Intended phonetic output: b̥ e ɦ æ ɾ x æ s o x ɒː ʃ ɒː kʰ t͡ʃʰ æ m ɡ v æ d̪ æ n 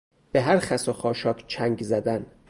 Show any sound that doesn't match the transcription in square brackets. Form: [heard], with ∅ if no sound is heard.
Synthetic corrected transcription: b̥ e ɦ æ ɾ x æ s o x ɒː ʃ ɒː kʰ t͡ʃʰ æ [ŋ] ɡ [z] æ d̪ æ n